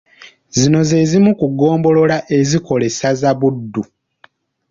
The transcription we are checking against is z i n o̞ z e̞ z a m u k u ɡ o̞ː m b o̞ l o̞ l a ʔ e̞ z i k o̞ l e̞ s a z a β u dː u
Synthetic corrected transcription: z i n o̞ z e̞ z i m u k u ɡ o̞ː m b o̞ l o̞ l a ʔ e̞ z i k o̞ l e̞ s a z a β u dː u